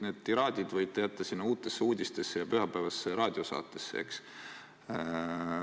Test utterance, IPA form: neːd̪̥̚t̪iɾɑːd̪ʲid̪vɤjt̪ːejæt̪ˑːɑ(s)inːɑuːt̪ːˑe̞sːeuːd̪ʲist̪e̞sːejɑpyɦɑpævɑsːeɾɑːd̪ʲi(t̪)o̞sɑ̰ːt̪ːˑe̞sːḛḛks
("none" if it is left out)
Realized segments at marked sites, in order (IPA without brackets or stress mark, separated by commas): s, none